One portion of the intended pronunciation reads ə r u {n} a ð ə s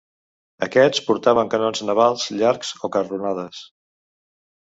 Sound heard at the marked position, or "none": n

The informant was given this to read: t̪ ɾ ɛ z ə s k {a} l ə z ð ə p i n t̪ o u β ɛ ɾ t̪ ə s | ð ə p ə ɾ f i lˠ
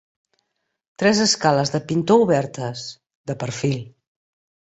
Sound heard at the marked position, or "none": a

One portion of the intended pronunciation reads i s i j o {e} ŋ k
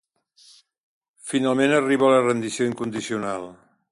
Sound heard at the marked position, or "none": i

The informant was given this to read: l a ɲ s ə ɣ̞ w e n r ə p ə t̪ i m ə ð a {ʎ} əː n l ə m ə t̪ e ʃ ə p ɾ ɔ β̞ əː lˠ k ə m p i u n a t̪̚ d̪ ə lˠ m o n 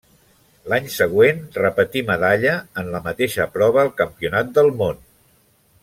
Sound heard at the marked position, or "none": ʎ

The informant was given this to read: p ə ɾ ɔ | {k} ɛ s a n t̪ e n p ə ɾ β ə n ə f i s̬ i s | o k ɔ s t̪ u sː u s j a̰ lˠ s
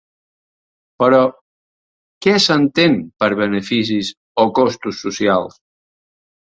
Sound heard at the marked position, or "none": k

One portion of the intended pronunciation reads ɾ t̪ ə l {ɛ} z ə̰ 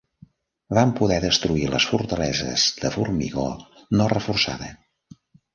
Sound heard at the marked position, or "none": ɛ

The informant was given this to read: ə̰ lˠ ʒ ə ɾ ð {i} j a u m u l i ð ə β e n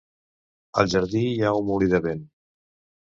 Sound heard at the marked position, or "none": i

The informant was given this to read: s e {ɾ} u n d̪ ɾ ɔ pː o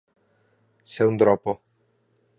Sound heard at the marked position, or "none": none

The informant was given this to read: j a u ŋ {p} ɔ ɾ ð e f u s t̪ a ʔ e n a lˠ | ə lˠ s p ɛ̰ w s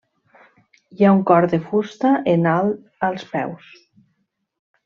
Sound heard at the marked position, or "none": k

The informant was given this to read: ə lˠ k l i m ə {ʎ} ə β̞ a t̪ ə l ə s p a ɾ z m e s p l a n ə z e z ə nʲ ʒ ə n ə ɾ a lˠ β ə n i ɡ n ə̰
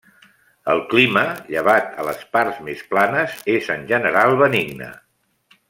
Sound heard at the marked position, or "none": ʎ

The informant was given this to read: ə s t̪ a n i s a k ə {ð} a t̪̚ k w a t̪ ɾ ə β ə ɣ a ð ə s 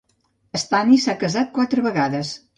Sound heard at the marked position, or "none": z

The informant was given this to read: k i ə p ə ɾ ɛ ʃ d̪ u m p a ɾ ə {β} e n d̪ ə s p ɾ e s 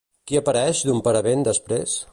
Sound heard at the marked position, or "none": β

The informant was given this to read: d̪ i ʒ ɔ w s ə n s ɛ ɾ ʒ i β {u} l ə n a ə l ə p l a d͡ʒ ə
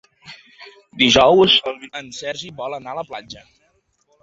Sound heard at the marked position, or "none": ɔ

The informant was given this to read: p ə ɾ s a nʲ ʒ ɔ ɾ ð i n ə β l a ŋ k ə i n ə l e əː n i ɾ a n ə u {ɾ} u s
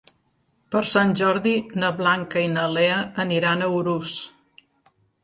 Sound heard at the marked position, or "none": ɾ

